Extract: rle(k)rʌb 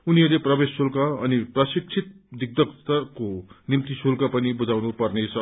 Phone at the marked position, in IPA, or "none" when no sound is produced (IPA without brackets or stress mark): p